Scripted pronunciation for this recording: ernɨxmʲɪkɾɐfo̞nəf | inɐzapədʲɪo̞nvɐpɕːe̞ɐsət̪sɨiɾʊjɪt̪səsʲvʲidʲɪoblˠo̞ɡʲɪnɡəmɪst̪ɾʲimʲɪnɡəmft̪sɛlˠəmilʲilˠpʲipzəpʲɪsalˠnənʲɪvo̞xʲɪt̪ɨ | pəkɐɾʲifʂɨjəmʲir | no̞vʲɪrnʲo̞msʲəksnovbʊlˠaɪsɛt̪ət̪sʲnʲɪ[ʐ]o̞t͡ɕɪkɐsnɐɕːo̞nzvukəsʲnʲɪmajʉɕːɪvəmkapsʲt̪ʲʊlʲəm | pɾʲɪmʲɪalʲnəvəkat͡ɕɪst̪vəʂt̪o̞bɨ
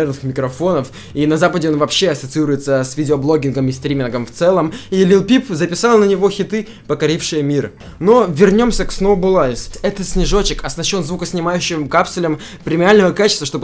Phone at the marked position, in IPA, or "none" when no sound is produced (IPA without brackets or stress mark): ʐ